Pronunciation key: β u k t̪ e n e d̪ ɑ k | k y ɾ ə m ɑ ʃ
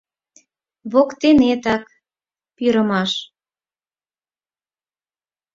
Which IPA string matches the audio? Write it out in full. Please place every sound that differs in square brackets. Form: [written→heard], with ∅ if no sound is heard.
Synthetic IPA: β [u→o] k t̪ e n e [d̪→t̪] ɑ k | [k→p] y ɾ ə m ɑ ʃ